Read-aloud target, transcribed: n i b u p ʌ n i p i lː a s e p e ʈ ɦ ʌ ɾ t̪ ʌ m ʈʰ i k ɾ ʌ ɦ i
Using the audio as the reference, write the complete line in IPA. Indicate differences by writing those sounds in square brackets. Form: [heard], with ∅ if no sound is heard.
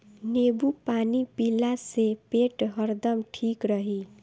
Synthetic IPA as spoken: n [e] b u p [a] n i p i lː a s e p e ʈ ɦ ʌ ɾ [d̪] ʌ m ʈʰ i k ɾ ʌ ɦ i